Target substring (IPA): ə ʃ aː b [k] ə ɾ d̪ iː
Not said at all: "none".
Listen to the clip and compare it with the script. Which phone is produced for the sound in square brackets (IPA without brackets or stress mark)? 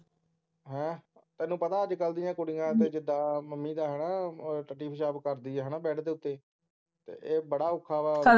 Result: k